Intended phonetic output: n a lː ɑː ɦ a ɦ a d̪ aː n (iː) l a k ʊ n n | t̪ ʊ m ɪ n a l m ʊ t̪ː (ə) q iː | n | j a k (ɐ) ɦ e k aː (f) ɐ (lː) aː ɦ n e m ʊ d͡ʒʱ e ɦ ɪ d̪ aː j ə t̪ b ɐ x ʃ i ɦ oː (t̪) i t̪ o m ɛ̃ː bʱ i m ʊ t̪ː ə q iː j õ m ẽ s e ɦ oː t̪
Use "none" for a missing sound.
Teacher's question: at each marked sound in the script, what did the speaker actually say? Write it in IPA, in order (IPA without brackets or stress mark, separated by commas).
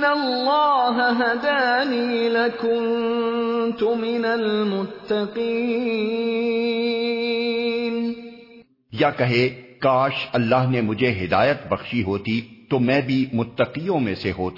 iː, ɑ, ɐ, ʃ, lː, t̪